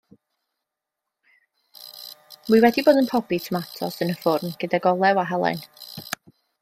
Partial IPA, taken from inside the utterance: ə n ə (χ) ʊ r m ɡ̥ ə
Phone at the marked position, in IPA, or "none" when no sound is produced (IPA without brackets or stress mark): f